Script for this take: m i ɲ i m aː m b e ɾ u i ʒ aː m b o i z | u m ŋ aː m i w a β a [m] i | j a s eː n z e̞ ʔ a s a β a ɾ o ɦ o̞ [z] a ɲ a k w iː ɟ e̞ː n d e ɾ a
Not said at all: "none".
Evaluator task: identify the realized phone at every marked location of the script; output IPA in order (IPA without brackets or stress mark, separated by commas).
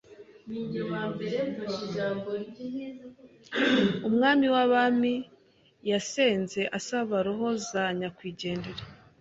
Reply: m, z